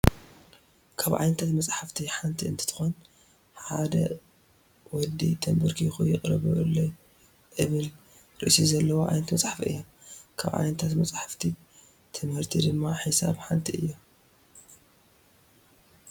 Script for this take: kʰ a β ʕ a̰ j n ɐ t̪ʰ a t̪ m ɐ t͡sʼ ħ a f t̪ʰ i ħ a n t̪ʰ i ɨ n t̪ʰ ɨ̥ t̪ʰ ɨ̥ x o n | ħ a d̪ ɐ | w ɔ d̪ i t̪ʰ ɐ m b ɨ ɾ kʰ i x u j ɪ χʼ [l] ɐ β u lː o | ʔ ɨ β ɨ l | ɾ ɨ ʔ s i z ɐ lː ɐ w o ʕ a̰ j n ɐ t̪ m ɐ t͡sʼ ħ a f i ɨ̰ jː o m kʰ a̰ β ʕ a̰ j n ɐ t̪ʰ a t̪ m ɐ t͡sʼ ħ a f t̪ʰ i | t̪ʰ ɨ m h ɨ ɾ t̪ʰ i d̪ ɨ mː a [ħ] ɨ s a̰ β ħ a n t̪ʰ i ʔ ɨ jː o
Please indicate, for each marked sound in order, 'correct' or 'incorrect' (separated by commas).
incorrect, correct